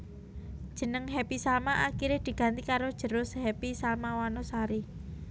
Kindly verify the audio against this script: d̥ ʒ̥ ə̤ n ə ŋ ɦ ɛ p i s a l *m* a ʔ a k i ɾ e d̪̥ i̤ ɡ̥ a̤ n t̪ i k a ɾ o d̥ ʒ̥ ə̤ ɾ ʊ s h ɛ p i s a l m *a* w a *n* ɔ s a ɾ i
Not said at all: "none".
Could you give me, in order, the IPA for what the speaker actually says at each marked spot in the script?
m, a, n

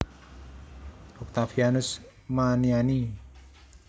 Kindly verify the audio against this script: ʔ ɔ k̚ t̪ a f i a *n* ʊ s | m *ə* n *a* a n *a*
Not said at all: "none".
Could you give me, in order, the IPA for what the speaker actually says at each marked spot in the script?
n, a, i, i

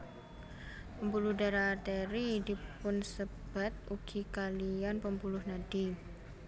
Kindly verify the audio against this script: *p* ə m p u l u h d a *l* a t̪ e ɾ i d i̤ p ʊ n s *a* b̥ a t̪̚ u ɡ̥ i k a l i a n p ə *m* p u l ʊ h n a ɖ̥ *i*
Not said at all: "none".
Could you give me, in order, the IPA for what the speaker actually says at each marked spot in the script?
p, ɾ, ə, m, i

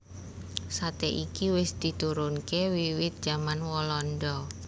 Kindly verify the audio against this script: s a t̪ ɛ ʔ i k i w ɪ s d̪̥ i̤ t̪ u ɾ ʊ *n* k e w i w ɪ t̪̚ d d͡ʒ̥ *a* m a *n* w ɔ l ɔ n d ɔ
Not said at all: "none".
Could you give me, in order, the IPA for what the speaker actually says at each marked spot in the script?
n, a, n

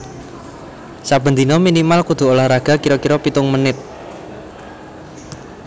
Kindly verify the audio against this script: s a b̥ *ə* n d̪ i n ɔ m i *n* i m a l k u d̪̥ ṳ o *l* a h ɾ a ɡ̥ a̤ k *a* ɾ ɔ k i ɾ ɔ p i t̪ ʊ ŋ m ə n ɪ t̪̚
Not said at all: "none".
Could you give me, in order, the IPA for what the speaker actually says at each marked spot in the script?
ə, n, l, i

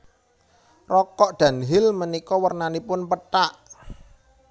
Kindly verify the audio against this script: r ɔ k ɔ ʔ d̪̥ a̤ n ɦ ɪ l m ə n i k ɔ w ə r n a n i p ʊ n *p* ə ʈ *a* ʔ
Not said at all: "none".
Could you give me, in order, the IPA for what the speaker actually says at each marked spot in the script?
p, a

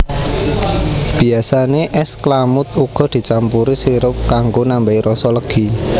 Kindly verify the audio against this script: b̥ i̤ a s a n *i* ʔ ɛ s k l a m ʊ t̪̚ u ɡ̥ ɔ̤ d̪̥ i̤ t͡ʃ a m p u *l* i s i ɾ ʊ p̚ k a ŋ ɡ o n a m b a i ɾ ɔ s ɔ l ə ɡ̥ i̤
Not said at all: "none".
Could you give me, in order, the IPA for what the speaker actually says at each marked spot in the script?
e, ɾ

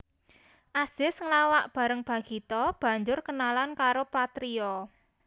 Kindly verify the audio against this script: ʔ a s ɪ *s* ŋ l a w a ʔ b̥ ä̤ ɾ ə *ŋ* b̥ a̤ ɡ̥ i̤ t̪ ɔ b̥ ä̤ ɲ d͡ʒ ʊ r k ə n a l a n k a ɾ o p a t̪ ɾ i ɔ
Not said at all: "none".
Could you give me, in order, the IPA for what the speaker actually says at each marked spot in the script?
s, ŋ

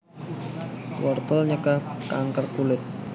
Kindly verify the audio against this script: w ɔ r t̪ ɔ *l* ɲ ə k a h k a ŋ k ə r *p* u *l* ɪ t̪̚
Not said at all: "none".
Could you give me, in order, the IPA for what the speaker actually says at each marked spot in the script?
l, k, l

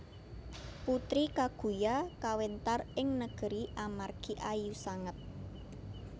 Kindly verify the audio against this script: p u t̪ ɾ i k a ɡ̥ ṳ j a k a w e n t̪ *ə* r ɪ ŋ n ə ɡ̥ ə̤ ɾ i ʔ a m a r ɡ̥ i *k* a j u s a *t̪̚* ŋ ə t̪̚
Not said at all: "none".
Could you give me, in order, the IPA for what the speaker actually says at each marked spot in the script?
a, ʔ, none

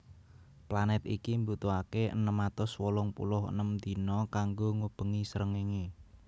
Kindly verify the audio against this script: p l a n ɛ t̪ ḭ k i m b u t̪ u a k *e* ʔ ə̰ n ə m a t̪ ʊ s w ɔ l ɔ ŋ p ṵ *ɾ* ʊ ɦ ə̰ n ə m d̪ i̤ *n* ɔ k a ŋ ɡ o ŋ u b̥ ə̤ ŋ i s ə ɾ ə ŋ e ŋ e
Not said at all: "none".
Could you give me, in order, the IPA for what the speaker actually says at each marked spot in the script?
e, l, n

